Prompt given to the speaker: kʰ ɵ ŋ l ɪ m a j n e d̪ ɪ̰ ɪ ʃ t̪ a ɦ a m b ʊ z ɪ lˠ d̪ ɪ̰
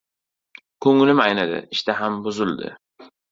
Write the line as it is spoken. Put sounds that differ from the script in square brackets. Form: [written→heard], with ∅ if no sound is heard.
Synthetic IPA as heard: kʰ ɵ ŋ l ɪ m a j n [e→a] d̪ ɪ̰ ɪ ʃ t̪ a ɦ a m b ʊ z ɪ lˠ d̪ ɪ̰